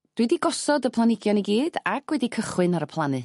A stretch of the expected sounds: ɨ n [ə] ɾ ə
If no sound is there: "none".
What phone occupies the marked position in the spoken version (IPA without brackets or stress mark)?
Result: a